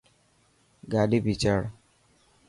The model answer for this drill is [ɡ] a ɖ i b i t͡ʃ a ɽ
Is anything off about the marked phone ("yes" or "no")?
no